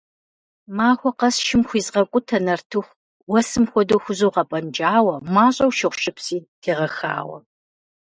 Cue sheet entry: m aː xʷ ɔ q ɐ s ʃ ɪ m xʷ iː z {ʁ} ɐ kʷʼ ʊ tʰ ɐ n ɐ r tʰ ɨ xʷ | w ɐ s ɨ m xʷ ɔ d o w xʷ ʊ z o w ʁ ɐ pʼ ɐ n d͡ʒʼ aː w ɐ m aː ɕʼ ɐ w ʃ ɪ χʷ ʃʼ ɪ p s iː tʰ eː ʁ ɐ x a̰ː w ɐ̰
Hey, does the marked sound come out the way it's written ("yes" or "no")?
yes